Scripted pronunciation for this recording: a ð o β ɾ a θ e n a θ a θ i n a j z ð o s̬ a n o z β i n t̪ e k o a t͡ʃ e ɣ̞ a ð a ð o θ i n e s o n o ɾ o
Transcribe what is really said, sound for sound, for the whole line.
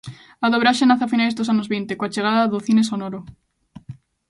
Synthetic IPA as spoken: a ð o β ɾ a ʃ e n a θ a f i n a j z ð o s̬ a n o z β i n t̪ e k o a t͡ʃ e ɣ̞ a ð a ð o θ i n e s o n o ɾ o